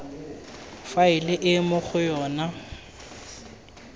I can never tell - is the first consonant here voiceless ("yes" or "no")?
yes